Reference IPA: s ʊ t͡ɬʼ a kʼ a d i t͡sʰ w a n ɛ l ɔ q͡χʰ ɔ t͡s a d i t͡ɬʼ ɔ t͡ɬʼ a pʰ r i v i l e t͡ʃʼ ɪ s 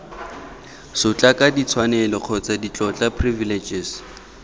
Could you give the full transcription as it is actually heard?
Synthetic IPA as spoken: s ʊ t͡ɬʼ a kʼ a d i t͡sʰ w a n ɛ l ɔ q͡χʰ ɔ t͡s a d i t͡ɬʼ ɔ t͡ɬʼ a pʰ r i v i l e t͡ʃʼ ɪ s